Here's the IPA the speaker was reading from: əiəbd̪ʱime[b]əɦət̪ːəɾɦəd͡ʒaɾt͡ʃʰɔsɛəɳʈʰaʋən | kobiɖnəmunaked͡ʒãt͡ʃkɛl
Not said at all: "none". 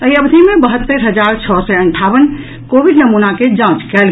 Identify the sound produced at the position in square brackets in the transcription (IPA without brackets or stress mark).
b